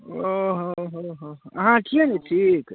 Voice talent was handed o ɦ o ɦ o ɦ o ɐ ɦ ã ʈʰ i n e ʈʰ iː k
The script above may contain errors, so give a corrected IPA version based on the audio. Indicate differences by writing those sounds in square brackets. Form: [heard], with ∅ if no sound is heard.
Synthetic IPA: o ɦ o ɦ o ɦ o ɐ ɦ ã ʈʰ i n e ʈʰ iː k